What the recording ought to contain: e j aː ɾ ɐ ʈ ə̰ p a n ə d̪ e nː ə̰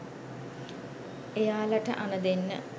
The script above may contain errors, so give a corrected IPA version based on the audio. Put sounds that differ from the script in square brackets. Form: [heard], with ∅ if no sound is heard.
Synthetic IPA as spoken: e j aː [l] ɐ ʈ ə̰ [ʔ] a n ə d̪ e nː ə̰